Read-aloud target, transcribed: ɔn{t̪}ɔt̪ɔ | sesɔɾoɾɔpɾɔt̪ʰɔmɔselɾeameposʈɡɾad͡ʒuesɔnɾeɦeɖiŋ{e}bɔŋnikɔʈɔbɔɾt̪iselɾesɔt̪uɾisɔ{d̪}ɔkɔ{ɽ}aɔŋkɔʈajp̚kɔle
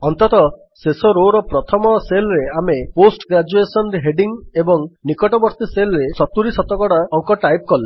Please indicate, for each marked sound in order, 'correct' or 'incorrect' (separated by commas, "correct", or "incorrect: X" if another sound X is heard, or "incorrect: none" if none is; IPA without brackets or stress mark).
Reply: correct, correct, incorrect: t̪, correct